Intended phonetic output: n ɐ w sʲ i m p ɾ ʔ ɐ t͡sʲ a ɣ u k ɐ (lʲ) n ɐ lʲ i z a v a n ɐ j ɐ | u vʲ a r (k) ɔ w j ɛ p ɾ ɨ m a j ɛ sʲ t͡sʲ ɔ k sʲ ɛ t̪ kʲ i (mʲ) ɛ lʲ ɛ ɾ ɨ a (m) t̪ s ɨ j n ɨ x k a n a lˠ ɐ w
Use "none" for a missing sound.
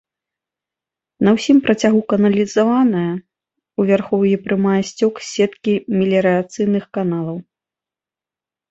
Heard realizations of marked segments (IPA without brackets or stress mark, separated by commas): none, x, mʲ, none